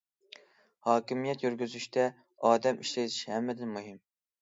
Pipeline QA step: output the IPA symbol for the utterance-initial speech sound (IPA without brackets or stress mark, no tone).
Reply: h